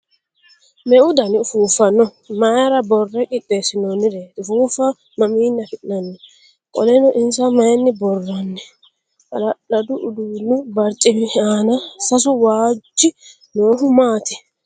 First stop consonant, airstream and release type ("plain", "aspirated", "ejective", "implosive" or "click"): plain